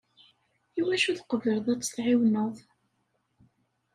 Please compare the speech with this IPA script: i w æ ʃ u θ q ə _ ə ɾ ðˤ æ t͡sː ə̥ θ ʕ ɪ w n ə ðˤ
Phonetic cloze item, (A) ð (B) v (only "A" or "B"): B